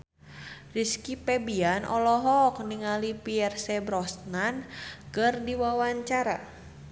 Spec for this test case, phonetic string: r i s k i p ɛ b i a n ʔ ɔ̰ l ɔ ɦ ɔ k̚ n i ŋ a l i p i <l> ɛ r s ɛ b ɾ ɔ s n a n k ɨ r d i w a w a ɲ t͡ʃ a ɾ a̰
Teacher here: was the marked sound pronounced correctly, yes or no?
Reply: no